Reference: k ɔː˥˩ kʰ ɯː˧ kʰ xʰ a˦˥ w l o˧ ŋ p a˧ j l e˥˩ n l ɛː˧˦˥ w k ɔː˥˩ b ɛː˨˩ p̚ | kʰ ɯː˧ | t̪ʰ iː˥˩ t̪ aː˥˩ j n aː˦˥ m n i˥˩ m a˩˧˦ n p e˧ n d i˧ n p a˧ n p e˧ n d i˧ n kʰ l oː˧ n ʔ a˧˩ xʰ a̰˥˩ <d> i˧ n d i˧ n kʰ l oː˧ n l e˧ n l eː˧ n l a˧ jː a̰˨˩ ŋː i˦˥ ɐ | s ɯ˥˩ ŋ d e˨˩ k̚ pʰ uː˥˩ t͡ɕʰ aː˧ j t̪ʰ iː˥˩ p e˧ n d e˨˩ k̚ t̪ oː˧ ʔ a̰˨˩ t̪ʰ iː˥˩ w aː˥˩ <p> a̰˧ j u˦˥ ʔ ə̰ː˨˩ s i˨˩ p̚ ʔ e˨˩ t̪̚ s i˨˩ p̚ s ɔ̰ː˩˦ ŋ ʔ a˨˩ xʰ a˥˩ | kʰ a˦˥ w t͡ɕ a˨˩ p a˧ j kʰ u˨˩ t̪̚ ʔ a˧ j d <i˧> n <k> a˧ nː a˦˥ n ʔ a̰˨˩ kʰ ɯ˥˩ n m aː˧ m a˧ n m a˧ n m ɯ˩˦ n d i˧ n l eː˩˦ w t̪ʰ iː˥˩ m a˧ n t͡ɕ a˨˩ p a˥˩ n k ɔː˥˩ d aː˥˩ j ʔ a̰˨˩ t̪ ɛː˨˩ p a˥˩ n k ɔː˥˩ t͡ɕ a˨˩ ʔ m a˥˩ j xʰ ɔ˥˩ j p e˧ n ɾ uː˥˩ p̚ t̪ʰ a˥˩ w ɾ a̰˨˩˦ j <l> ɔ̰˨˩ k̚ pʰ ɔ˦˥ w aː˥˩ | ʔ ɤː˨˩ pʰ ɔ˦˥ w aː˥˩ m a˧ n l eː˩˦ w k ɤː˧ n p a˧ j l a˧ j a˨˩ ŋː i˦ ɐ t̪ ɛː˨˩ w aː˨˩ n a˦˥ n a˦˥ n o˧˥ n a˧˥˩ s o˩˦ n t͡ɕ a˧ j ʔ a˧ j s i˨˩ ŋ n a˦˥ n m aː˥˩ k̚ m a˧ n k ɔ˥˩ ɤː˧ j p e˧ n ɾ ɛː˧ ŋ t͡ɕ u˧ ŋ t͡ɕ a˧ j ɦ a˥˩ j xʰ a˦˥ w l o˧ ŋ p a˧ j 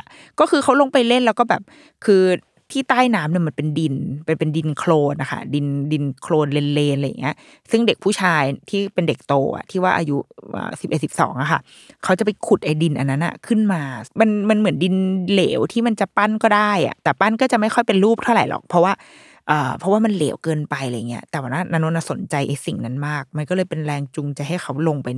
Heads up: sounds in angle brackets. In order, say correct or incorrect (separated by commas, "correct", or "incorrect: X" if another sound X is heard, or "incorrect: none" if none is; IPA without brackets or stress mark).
correct, incorrect: ʔ, correct, incorrect: ʔ, correct